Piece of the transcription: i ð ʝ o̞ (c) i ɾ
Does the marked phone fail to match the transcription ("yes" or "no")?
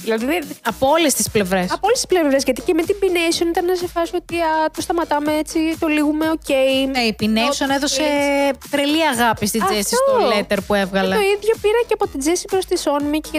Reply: yes